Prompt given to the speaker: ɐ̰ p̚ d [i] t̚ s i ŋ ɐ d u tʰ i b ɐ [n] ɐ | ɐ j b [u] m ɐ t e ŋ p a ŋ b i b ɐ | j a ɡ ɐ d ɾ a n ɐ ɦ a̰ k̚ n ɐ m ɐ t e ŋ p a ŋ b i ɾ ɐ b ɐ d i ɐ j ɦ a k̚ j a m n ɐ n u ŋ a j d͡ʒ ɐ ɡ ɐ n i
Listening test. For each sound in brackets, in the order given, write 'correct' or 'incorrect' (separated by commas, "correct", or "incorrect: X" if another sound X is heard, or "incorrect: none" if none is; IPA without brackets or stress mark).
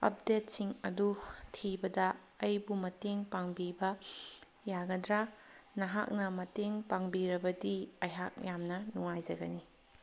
incorrect: e, incorrect: d, correct